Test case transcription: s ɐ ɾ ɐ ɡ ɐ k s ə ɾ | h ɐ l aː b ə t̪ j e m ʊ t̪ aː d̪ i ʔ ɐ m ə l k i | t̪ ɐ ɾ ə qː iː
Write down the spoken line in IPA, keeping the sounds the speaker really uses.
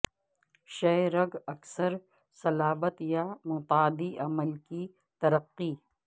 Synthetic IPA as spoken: ʃ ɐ ɾ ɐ ɡ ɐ k s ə ɾ | s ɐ l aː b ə t̪ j a m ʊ t̪ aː d̪ i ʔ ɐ m ə l k i | t̪ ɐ ɾ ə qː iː